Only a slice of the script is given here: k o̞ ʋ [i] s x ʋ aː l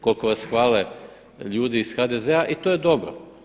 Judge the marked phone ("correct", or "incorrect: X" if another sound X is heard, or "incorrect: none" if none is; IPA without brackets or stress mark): incorrect: a